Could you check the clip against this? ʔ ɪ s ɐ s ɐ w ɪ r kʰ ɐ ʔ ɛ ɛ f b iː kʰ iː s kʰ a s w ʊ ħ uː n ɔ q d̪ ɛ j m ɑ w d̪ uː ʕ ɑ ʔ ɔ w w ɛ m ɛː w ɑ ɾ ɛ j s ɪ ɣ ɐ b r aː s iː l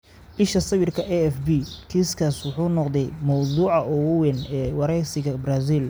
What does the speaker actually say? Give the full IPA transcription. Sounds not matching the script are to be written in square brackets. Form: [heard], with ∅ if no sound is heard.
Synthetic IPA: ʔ ɪ [ʃ] ɐ s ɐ w ɪ r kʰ ɐ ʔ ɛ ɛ f b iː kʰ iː s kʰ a s w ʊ ħ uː n ɔ q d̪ ɛ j m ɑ w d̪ uː ʕ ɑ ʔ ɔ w w ɛ [n] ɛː w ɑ ɾ ɛ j s ɪ ɣ ɐ b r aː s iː l